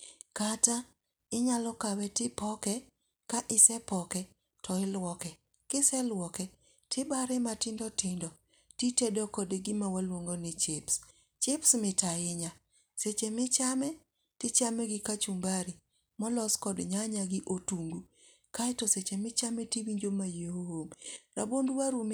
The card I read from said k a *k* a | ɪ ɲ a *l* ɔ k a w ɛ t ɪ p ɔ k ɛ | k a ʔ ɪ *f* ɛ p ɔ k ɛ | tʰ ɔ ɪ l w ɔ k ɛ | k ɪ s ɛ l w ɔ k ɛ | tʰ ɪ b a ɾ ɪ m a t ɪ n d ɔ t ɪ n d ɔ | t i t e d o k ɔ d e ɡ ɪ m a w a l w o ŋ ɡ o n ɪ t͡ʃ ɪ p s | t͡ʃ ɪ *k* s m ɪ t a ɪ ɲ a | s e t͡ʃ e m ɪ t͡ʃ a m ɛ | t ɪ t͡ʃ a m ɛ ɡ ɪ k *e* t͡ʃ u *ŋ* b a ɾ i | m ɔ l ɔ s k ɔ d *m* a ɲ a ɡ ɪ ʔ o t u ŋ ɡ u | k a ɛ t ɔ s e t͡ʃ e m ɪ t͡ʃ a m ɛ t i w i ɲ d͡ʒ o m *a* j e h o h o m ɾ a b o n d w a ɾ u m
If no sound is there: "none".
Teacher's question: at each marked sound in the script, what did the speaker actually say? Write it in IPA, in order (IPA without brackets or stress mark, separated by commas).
t, l, s, p, a, m, ɲ, a